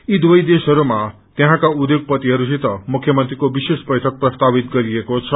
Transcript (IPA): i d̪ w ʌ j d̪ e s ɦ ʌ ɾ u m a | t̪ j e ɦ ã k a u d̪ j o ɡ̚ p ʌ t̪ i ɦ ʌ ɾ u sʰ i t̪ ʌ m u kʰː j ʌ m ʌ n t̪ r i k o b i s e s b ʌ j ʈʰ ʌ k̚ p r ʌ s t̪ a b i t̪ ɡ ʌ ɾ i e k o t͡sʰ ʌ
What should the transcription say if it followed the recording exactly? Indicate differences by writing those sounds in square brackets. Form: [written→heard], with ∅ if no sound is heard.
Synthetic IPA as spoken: i d̪ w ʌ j d̪ e s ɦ ʌ ɾ u m a | t̪ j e ɦ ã k a u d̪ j o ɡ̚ p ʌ t̪ i ɦ ʌ ɾ u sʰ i t̪ ʌ m u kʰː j ʌ m ʌ n t̪ r i k o b i s e s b ʌ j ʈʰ ʌ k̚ p r ʌ s t̪ a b i t̪ ɡ ʌ ɾ i e k o t͡sʰ ʌ